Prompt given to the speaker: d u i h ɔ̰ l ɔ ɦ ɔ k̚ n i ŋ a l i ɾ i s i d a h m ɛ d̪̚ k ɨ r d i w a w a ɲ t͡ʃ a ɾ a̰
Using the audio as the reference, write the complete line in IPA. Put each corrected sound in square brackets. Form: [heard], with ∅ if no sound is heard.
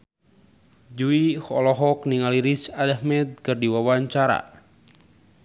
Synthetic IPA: [d͡ʒ] u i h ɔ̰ l ɔ ɦ ɔ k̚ n i ŋ a l i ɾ i s [a] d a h m ɛ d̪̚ k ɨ r d i w a w a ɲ t͡ʃ a ɾ a̰